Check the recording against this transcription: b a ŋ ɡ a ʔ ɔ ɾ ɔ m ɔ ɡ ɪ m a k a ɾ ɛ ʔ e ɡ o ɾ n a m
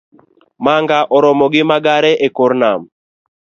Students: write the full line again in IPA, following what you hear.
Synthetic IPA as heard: m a ŋ ɡ a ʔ ɔ ɾ ɔ m ɔ ɡ ɪ m a ɡ a ɾ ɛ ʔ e k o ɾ n a m